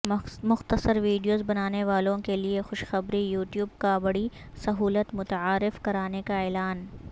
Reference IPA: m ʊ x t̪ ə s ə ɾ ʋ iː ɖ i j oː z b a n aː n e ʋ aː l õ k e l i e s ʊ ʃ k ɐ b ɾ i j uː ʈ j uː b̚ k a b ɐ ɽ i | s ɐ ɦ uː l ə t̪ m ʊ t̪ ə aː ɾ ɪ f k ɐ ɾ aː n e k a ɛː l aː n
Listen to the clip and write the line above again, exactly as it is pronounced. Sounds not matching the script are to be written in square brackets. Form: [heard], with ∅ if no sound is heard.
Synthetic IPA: m ʊ x t̪ ə s ə ɾ ʋ iː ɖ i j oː z b [ɐ] n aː n e ʋ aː l õ k e l i e [x] ʊ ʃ [x] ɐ b ɾ i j uː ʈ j uː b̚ k a b ɐ ɽ i | s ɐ ɦ uː l ə t̪ m ʊ t̪ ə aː ɾ ɪ f k ɐ ɾ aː n e k a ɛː l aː n

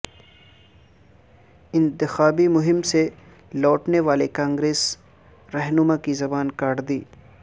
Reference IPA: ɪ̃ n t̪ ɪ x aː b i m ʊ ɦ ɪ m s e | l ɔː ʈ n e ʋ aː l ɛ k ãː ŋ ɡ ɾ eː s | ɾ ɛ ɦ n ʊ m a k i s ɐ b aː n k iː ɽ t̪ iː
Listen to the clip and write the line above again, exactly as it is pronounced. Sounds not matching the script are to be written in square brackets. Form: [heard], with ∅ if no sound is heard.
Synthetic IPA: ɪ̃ n t̪ ɪ x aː b i m ʊ ɦ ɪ m s e | l ɔː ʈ n e ʋ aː l [e] k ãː ŋ ɡ ɾ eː s | ɾ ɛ ɦ n ʊ m a k i [z] ɐ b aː n k [aː] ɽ [d̪] iː

